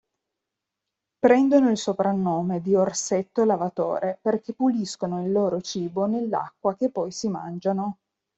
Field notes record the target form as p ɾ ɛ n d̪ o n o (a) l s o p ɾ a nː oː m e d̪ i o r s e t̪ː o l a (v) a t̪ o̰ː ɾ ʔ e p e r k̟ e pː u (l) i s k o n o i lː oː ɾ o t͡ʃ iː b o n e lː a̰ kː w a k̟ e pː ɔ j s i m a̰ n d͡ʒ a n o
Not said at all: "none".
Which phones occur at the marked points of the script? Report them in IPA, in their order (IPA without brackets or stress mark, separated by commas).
i, v, l